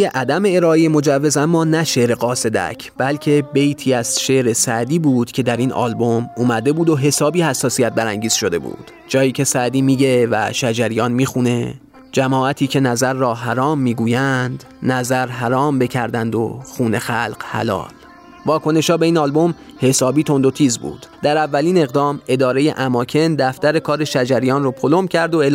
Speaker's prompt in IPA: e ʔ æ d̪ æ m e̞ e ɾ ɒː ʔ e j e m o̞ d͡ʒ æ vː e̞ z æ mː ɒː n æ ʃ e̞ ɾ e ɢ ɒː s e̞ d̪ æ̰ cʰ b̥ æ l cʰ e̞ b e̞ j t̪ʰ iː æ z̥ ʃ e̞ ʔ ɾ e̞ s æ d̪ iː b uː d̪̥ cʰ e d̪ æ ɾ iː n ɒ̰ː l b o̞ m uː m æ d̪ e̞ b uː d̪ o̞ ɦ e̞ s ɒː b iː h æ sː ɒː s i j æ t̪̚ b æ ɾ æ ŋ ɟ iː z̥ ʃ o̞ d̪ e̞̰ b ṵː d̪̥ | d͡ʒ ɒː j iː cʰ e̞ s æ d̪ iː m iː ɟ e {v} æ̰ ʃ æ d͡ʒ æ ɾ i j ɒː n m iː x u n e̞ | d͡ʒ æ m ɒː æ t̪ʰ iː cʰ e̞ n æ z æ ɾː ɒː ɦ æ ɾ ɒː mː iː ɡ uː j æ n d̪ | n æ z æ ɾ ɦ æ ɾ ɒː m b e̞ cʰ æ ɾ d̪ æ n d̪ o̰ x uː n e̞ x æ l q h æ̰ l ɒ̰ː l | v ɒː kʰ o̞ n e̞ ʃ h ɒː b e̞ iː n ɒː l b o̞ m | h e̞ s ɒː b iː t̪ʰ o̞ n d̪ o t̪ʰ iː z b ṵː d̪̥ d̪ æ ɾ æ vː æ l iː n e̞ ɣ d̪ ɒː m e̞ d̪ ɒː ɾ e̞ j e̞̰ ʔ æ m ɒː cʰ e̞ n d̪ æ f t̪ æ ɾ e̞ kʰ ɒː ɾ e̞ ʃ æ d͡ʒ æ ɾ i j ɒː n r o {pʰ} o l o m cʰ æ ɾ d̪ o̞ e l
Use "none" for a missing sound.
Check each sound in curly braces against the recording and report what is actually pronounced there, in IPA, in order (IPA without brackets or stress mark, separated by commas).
v, pʰ